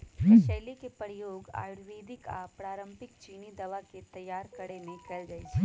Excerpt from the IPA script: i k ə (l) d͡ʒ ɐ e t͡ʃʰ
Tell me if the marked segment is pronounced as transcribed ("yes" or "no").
yes